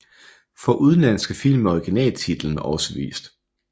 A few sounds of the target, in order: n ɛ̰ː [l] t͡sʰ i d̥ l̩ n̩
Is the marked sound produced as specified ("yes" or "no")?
yes